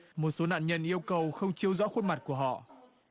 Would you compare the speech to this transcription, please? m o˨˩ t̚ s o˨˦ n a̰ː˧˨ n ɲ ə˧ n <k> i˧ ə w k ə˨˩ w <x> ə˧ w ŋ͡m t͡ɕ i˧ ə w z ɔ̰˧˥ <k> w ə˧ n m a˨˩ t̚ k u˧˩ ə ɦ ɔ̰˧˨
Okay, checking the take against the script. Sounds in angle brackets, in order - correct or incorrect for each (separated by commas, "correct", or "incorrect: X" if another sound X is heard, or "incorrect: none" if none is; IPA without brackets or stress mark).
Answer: incorrect: ʔ, correct, incorrect: x